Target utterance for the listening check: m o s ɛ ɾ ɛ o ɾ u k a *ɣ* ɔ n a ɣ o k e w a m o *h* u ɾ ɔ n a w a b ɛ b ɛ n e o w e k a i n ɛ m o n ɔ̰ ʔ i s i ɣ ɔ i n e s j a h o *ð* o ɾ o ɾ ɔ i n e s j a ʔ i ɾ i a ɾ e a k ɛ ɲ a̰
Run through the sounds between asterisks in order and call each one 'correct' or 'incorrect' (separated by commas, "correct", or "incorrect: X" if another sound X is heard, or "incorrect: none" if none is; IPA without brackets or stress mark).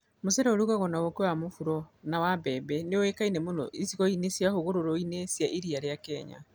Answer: correct, incorrect: f, incorrect: ɣ